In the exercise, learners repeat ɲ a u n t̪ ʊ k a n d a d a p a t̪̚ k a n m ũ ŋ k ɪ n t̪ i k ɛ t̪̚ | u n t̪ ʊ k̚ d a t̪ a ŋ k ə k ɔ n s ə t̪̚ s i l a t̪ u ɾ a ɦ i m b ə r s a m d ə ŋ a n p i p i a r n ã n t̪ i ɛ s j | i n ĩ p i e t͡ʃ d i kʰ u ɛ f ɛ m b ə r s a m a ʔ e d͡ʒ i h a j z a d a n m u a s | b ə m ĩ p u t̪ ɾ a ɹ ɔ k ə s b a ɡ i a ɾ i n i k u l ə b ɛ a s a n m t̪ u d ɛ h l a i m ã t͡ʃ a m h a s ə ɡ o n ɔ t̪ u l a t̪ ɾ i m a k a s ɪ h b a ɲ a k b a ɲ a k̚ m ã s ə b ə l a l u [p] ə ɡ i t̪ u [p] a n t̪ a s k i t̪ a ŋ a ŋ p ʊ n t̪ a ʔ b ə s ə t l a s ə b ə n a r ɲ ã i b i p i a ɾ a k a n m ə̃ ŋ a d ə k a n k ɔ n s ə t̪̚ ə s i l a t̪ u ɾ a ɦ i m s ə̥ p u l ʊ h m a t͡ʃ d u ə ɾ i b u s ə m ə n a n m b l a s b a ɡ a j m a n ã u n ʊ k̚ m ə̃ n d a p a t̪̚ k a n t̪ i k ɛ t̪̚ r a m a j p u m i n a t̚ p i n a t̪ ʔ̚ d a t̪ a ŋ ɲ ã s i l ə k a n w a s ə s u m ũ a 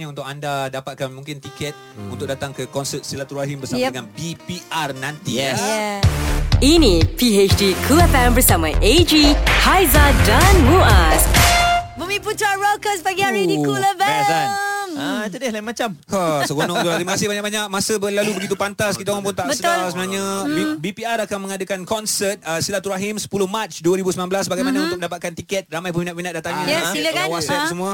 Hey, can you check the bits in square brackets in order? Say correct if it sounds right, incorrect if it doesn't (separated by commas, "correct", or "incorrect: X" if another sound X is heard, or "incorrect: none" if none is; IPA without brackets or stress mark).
incorrect: b, correct